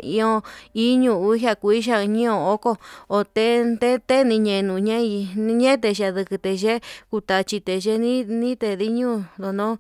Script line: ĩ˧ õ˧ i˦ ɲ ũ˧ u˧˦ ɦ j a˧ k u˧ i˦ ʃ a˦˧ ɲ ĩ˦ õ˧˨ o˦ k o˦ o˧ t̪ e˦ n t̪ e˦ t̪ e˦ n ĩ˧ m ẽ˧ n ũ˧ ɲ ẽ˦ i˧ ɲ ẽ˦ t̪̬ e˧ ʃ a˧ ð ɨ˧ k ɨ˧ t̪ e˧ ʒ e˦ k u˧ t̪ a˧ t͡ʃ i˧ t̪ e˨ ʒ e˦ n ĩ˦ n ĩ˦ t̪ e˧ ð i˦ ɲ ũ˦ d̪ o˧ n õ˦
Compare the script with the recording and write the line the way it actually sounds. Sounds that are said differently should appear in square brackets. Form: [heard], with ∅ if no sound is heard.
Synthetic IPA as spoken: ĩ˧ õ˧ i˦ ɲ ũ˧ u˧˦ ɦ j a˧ k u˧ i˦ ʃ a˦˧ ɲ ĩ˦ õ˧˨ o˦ k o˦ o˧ t̪ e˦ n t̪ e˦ t̪ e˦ n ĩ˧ [ɲ] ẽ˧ n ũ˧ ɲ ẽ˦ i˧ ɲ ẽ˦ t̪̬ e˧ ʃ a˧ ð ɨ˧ k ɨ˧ t̪ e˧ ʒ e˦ k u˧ t̪ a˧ t͡ʃ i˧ t̪ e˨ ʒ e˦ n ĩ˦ n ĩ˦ t̪ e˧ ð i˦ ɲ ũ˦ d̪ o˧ n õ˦

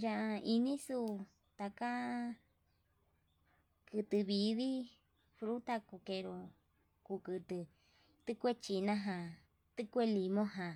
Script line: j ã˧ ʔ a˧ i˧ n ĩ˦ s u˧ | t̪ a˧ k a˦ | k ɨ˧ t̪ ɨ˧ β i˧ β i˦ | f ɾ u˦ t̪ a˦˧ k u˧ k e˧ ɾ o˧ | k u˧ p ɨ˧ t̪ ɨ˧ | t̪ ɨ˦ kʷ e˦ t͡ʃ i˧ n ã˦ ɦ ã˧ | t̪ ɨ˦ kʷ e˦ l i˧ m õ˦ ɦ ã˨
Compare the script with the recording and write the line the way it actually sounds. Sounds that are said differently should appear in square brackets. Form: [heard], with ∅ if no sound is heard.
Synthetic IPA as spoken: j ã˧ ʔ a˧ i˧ n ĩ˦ s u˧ | t̪ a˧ k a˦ | k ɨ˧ t̪ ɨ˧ β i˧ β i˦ | f ɾ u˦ t̪ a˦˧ k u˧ k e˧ ɾ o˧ | k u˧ [k] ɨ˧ t̪ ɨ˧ | t̪ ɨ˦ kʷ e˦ t͡ʃ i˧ n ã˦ ɦ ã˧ | t̪ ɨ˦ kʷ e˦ l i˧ m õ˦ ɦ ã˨

